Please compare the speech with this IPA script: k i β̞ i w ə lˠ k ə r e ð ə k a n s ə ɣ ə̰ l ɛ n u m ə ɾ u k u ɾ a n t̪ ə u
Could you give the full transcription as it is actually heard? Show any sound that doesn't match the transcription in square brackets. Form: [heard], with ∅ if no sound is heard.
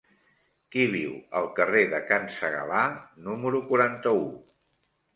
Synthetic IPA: k i β̞ i w ə lˠ k ə r e ð ə k a n s ə ɣ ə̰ l [a] n u m ə ɾ u k u ɾ a n t̪ ə u